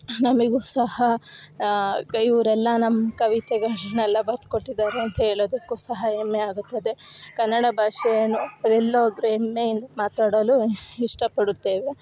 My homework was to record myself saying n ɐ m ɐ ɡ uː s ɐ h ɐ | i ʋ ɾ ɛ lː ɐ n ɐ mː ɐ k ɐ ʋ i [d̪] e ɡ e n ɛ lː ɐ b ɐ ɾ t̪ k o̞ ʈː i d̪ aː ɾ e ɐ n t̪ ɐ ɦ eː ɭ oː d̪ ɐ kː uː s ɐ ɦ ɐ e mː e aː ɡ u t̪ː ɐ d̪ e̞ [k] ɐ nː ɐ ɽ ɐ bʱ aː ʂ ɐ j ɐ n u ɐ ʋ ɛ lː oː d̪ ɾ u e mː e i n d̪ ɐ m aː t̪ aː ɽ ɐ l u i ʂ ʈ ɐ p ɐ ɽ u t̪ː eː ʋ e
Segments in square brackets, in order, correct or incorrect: incorrect: t̪, correct

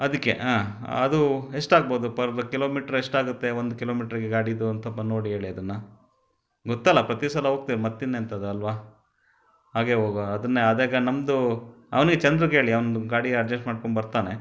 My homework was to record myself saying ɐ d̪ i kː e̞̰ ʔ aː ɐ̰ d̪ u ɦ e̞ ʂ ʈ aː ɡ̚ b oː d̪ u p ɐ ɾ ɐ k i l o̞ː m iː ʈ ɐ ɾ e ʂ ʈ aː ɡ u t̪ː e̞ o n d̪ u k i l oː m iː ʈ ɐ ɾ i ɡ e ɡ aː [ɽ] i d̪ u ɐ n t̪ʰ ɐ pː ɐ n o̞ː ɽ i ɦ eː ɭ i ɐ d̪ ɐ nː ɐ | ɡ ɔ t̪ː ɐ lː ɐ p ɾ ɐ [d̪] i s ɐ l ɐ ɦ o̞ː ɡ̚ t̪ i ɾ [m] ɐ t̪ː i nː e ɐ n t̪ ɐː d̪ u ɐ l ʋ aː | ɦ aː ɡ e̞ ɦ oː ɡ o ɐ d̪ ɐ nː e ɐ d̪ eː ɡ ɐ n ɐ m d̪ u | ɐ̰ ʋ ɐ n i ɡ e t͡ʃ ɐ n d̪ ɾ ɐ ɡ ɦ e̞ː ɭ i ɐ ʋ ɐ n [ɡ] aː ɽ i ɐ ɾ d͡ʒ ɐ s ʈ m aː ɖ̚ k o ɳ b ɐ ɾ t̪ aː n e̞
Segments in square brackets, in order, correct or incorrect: correct, incorrect: t̪, correct, correct

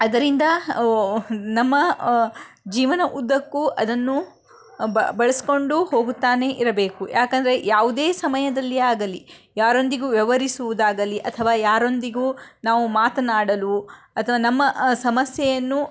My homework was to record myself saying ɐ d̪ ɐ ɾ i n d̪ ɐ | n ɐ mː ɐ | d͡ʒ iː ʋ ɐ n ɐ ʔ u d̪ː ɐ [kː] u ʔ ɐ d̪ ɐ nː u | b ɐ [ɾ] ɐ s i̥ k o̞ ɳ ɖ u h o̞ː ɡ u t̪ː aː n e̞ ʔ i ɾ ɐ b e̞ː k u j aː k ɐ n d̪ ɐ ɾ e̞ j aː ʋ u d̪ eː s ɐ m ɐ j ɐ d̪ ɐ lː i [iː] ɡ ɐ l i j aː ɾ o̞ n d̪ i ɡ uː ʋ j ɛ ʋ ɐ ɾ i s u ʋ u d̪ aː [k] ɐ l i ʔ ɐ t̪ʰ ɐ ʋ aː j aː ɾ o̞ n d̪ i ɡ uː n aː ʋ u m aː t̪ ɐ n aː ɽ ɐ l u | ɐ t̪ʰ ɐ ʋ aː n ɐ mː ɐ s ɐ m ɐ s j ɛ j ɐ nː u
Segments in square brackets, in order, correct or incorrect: correct, incorrect: ɭ, incorrect: aː, incorrect: ɡ

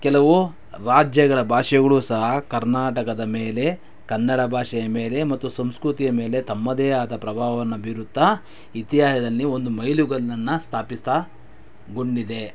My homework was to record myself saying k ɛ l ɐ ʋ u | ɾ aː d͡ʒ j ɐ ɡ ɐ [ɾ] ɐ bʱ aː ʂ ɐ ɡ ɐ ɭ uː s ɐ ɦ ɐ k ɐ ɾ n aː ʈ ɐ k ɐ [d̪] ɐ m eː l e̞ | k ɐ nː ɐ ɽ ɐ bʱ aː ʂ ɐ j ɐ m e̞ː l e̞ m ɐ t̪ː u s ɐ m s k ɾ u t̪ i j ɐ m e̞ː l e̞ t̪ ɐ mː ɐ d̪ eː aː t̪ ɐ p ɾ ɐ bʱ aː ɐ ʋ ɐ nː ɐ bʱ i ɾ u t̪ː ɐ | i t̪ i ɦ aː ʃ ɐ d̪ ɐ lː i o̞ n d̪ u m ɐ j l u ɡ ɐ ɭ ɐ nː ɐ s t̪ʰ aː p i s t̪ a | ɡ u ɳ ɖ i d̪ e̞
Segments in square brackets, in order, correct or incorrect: incorrect: ɭ, correct

